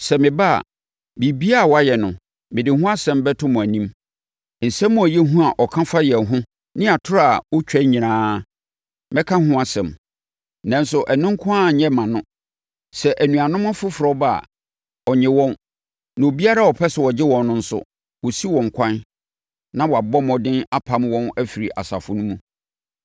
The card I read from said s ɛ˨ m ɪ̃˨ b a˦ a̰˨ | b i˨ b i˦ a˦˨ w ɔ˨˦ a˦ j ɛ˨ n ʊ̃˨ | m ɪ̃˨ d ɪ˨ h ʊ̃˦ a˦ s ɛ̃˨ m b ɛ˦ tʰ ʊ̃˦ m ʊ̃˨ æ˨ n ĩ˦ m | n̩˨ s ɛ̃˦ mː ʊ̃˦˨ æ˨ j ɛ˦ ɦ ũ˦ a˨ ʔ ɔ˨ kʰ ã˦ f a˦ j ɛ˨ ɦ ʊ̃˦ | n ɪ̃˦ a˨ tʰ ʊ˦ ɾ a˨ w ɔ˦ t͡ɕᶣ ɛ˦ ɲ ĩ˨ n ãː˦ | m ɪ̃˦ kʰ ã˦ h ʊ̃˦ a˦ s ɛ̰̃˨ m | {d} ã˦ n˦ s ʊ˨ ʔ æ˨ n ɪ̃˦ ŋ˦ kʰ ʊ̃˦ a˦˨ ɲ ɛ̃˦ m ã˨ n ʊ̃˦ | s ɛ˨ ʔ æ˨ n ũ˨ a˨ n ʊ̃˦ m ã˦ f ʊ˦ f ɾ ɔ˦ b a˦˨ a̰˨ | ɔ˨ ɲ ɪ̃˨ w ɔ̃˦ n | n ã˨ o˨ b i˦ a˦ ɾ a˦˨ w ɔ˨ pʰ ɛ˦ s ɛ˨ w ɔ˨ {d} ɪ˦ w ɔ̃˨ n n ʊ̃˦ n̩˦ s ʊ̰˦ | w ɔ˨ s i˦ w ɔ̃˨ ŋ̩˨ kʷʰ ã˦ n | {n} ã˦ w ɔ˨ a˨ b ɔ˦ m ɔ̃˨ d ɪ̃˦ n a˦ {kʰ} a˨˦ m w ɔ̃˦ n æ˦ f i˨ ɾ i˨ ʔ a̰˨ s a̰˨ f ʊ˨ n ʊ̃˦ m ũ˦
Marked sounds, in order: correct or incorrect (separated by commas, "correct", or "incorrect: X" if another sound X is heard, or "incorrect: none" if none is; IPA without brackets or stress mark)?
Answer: incorrect: n, incorrect: d͡ʑ, correct, incorrect: pʰ